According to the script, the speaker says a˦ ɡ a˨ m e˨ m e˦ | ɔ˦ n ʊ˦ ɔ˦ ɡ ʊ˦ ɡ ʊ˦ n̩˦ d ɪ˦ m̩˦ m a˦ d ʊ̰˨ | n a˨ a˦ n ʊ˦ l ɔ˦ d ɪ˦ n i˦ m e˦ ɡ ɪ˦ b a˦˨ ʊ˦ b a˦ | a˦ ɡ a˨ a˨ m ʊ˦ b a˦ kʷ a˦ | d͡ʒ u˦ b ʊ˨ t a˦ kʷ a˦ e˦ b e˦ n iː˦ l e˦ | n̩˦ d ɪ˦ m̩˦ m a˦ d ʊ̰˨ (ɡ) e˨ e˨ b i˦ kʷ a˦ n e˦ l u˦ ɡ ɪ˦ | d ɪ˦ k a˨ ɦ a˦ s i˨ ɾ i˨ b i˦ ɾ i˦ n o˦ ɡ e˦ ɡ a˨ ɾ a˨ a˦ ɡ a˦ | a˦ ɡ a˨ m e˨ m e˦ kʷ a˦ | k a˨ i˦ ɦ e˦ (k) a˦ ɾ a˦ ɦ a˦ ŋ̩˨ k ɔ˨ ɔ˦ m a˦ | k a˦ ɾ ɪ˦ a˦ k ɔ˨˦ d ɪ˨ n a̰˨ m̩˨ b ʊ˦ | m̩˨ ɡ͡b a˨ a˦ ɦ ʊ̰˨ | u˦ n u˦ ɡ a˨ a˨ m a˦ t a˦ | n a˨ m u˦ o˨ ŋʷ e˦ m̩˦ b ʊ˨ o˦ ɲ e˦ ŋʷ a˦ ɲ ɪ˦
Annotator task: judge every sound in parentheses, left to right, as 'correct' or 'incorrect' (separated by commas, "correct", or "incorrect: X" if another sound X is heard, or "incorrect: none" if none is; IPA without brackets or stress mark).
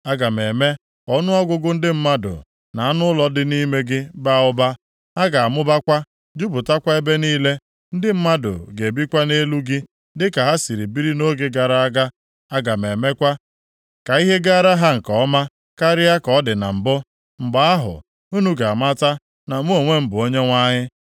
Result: correct, incorrect: ɡ